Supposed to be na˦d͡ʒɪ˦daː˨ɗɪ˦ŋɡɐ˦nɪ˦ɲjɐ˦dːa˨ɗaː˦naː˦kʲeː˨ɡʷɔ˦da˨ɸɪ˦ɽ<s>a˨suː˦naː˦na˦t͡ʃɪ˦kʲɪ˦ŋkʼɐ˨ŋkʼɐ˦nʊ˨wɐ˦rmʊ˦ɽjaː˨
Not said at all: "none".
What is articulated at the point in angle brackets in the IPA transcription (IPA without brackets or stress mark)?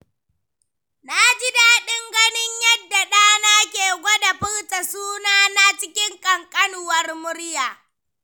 t